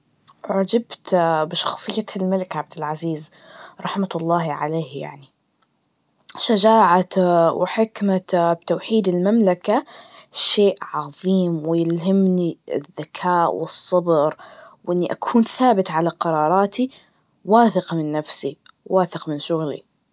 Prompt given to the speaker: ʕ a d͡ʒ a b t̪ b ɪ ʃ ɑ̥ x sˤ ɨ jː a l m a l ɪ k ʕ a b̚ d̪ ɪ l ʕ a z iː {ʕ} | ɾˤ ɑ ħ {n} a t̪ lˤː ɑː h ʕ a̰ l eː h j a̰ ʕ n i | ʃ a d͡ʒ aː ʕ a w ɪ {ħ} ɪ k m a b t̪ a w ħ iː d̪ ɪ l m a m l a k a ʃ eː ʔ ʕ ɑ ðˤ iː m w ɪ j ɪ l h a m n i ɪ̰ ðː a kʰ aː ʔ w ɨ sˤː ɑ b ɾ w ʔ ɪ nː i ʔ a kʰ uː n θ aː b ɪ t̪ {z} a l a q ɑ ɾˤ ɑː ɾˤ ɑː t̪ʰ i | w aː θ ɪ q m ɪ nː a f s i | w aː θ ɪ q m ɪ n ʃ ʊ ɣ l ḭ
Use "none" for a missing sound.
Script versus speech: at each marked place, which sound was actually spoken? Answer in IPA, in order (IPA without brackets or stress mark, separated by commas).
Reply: z, m, ħ, ʕ